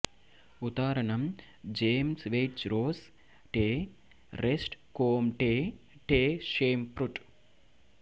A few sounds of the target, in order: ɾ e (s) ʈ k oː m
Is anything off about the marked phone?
no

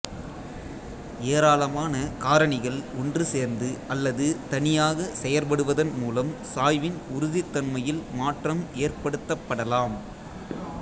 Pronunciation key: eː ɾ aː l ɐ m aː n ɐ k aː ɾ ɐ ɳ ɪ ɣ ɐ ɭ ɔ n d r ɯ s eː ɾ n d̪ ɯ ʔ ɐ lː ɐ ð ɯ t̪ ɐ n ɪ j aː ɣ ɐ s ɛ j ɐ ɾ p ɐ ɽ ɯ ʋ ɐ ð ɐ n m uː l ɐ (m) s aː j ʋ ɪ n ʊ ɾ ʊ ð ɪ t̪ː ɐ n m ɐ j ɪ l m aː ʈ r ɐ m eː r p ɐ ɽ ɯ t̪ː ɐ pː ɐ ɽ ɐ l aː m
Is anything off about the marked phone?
no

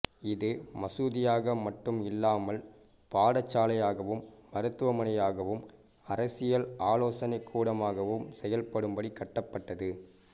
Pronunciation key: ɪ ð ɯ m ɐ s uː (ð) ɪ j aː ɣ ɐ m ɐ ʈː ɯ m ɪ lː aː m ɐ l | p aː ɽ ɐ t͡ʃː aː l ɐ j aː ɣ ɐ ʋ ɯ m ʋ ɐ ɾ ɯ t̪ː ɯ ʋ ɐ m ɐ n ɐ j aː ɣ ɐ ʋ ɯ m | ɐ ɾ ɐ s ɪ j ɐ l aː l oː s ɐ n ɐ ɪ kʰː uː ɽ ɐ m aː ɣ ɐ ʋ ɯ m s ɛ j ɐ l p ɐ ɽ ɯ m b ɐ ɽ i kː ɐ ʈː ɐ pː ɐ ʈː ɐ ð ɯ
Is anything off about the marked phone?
no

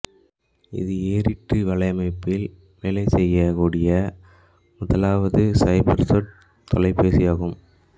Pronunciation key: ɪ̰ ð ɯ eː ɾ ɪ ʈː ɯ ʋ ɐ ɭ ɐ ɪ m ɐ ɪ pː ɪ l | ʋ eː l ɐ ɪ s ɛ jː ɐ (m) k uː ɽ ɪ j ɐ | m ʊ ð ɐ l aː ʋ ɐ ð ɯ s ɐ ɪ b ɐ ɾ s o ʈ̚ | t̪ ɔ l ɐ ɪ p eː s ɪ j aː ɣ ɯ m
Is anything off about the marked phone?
yes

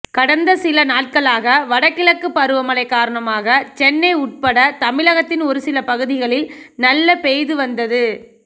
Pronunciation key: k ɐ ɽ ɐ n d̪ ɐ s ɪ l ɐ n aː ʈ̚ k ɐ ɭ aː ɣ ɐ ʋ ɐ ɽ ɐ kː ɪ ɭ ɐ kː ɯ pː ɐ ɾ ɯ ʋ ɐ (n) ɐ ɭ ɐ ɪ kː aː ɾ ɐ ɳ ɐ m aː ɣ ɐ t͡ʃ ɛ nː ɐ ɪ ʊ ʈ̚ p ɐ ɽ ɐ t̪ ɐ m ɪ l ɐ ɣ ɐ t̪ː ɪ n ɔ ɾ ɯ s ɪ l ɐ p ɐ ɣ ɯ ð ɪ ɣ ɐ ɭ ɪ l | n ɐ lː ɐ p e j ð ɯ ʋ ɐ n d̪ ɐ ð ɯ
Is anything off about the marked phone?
yes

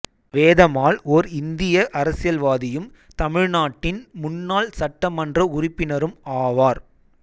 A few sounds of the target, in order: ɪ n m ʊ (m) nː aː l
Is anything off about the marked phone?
yes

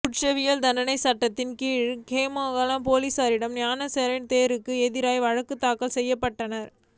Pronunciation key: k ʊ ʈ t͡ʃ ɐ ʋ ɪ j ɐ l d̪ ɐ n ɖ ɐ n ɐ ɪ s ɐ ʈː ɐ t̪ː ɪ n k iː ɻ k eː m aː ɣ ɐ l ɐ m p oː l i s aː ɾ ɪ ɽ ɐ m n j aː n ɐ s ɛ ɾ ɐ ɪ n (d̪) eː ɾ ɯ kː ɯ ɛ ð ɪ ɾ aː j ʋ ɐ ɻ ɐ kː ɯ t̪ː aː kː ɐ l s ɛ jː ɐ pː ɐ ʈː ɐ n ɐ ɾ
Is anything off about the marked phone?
yes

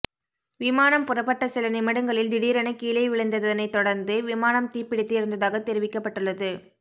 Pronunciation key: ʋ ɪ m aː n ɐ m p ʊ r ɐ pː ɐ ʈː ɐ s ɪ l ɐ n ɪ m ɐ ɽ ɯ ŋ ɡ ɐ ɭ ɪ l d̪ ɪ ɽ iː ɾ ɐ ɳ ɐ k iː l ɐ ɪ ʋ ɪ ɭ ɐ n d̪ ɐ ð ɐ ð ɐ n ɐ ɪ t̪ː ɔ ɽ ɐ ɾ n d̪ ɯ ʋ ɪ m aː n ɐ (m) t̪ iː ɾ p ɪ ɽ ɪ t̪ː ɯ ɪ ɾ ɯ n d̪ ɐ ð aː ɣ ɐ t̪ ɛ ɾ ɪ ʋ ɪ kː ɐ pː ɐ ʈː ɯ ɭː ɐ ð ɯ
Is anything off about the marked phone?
no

